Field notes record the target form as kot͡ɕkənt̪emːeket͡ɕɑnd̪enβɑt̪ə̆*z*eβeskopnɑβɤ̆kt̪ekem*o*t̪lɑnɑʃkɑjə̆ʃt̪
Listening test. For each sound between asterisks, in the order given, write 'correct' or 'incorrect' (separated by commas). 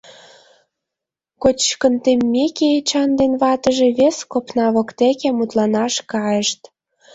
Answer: incorrect, incorrect